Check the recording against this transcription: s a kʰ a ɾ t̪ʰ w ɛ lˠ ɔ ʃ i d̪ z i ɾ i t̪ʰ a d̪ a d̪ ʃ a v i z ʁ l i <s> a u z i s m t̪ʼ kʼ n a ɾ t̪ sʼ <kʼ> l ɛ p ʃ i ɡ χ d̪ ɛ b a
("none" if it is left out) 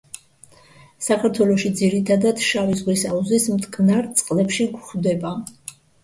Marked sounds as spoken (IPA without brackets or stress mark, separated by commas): s, qʼ